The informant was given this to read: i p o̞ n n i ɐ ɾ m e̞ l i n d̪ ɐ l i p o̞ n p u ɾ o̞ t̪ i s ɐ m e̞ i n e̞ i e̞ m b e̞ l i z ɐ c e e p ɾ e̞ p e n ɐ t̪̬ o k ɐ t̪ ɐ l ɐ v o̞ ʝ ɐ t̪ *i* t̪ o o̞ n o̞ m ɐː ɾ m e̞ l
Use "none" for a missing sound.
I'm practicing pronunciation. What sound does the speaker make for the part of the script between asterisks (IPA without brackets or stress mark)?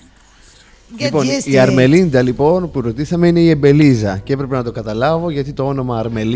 i